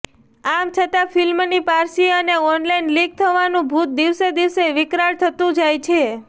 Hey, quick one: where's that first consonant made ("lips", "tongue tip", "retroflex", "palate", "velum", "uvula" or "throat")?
lips